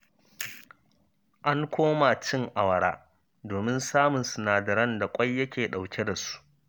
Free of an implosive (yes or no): no